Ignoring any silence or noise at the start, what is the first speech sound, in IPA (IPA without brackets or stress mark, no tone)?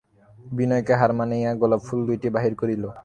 b